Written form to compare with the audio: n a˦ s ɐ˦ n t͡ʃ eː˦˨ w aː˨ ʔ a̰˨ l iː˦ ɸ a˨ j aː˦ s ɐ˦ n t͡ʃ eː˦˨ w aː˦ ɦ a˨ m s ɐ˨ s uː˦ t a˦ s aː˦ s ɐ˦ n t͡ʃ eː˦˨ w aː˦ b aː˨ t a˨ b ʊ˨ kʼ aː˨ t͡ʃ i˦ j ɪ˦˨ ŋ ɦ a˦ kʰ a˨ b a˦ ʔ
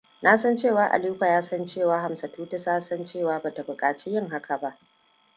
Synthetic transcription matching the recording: n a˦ s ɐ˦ n t͡ʃ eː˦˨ w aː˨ ʔ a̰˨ l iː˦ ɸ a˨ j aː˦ s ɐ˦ n t͡ʃ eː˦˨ w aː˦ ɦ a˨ m s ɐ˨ t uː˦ t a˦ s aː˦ s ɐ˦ n t͡ʃ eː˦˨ w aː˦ b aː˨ t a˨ b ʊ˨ kʼ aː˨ t͡ʃ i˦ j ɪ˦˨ ŋ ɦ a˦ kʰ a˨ b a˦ ʔ